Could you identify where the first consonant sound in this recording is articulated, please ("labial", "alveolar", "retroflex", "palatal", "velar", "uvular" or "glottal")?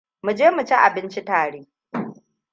labial